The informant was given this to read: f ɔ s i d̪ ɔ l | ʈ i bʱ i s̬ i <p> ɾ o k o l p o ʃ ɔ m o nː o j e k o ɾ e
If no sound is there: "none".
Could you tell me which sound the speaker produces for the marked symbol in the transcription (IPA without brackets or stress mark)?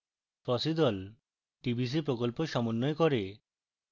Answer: p